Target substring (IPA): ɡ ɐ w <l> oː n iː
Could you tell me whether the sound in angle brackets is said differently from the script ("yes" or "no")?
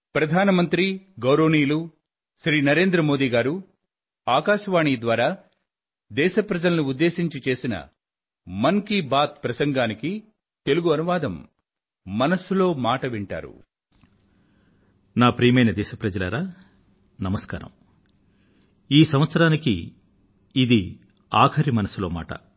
yes